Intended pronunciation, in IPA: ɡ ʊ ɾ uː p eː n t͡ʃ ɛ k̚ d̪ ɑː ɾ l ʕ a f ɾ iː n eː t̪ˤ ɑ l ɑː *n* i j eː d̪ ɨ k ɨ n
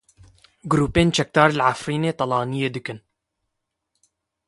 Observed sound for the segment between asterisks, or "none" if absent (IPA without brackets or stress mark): n